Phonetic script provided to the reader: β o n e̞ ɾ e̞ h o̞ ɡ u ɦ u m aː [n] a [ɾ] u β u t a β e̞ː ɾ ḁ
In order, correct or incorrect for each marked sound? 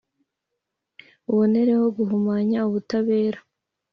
incorrect, incorrect

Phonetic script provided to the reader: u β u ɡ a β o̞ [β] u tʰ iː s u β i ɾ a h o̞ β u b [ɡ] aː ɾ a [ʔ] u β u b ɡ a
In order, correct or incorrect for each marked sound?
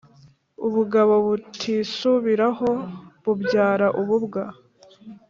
correct, incorrect, correct

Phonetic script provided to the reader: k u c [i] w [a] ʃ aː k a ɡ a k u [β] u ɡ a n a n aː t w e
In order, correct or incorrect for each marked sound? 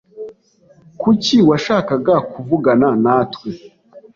correct, correct, incorrect

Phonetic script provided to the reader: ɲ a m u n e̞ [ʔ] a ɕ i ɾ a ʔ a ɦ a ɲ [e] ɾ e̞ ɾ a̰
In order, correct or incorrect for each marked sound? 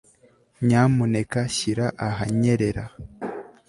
incorrect, correct

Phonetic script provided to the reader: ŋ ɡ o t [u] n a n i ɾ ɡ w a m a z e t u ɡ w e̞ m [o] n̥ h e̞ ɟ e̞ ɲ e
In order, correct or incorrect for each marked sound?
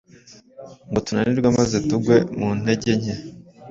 correct, incorrect

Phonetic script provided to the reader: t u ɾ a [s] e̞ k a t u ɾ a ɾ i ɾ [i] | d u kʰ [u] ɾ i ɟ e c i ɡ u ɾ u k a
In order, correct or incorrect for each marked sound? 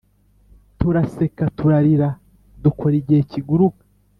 correct, incorrect, incorrect

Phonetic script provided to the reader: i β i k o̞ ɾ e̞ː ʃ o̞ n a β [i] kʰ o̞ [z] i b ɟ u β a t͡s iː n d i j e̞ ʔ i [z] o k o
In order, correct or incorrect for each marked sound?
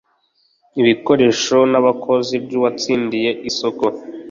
incorrect, correct, incorrect

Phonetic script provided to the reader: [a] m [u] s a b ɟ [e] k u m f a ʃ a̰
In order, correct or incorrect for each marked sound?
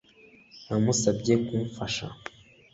correct, correct, correct

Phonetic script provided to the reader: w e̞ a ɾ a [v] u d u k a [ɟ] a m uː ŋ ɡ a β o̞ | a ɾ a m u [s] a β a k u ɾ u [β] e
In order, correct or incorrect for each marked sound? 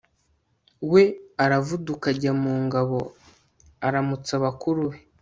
correct, correct, incorrect, incorrect

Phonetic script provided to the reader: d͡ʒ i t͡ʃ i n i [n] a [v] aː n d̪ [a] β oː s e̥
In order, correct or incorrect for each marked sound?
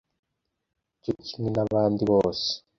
correct, incorrect, incorrect

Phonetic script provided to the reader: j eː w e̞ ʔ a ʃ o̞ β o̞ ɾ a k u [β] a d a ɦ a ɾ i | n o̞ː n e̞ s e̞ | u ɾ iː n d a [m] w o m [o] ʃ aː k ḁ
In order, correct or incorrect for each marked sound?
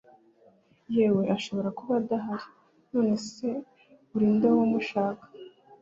correct, incorrect, incorrect

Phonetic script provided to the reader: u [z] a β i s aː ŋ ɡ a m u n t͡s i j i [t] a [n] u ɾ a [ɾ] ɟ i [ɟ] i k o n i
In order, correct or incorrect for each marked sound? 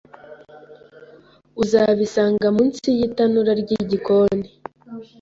correct, correct, correct, correct, correct

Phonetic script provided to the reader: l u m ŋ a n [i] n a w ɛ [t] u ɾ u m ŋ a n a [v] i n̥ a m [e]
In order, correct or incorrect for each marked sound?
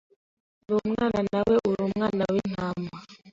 incorrect, incorrect, incorrect, incorrect

